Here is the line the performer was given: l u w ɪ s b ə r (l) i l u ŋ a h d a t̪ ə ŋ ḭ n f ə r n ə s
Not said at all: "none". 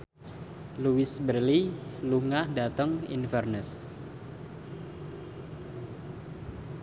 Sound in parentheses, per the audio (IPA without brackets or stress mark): l